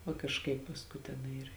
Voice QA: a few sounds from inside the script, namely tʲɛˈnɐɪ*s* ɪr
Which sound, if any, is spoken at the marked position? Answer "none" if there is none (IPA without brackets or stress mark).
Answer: none